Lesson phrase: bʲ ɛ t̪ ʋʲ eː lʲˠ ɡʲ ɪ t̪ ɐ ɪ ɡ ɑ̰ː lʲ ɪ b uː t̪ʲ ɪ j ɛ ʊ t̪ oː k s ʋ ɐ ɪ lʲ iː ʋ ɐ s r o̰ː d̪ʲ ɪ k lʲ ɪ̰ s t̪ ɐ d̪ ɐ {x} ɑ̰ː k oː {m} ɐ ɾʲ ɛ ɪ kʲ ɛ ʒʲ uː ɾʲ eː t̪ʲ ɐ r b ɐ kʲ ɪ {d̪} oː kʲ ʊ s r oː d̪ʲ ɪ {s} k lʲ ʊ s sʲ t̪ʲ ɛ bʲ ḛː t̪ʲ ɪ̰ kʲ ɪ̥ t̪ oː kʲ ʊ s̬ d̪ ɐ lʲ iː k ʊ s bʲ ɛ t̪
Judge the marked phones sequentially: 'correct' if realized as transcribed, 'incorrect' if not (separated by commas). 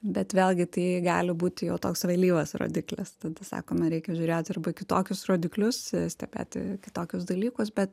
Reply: incorrect, correct, incorrect, incorrect